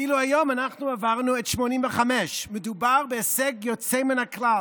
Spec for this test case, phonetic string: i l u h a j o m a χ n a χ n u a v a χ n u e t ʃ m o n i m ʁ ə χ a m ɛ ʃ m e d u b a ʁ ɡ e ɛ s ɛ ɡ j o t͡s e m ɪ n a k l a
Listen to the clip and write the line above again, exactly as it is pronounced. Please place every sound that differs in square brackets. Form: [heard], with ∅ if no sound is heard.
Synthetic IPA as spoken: i l u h a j o m a [∅] n a χ n u a v a [ʁ] n u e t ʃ m o n i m [v] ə χ a m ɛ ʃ m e d u b a ʁ [b] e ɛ s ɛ ɡ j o t͡s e m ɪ n a k l a